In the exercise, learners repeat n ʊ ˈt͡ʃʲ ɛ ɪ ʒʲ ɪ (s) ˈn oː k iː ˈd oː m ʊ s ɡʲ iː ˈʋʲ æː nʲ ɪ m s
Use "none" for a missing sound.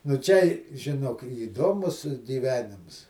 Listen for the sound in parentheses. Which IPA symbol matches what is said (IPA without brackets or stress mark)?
none